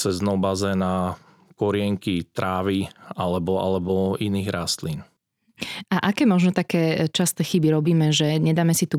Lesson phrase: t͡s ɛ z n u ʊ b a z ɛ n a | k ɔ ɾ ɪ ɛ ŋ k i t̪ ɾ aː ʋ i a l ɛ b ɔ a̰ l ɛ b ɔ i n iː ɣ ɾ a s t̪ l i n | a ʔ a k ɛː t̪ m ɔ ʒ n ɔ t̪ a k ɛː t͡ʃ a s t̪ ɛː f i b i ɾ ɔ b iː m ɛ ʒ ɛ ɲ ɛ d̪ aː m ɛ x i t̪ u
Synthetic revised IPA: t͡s ɛ z n ɔ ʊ b a z ɛ n a | k ɔ ɾ ɪ ɛ ŋ k i t̪ ɾ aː ʋ i a l ɛ b ɔ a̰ l ɛ b ɔ i n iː ɣ ɾ a s t̪ l i n | a ʔ a k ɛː m ɔ ʒ n ɔ t̪ a k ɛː t͡ʃ a s t̪ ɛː x i b i ɾ ɔ b iː m ɛ ʒ ɛ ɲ ɛ d̪ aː m ɛ s i t̪ u